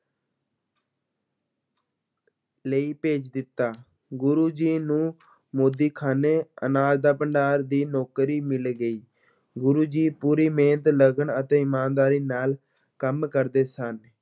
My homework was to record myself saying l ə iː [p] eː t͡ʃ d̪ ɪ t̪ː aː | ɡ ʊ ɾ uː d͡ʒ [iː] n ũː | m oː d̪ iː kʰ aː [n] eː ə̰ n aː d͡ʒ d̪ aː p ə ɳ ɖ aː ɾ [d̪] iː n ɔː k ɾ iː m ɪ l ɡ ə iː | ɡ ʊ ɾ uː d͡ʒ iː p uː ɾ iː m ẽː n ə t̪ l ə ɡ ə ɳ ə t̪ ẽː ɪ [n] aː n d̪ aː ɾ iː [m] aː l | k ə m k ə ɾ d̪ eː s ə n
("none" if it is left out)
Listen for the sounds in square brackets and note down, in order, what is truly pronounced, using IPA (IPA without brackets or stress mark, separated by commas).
p, iː, n, d̪, m, n